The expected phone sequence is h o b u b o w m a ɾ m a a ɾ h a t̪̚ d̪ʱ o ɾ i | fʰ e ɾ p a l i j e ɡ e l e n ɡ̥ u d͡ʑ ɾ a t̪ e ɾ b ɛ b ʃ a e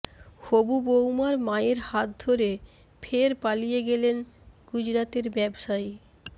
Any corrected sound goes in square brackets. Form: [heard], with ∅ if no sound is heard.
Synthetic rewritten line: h o b u b o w m a ɾ m a [e] ɾ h a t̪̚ d̪ʱ o ɾ [e] | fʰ e ɾ p a l i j e ɡ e l e n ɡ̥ u d͡ʑ ɾ a t̪ e ɾ b ɛ b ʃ a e